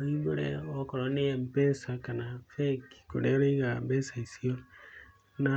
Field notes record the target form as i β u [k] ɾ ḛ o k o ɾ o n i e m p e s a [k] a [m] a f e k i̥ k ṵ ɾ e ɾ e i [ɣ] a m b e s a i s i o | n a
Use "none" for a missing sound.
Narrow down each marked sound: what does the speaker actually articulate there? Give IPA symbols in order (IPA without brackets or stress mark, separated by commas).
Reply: none, k, n, ɣ